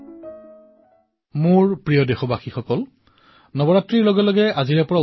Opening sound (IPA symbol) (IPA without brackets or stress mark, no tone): m